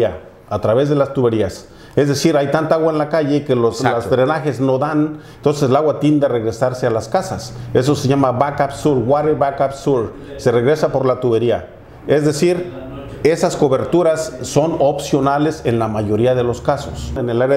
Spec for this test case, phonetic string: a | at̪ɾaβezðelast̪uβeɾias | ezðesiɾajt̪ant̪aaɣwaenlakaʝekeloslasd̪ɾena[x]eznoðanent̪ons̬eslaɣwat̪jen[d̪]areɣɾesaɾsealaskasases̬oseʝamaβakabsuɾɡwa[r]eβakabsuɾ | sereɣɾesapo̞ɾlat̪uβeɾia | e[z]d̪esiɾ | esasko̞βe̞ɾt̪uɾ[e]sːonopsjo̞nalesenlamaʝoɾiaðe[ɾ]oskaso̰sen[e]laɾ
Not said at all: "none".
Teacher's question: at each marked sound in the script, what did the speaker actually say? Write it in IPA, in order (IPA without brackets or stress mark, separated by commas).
x, d̪, ɾ, z, a, l, e